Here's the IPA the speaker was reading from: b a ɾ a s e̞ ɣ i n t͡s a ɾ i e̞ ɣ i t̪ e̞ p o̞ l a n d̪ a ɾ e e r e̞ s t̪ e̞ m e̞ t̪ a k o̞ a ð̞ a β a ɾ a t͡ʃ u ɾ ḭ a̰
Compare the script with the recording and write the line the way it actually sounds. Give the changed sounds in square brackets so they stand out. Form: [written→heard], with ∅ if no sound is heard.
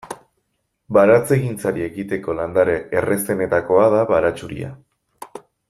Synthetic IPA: b a ɾ a [s→t͡s] e̞ ɣ i n t͡s a ɾ i e̞ ɣ i t̪ e̞ [p→k] o̞ l a n d̪ a ɾ e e r e̞ s t̪ e̞ [m→n] e̞ t̪ a k o̞ a ð̞ a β a ɾ a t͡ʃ u ɾ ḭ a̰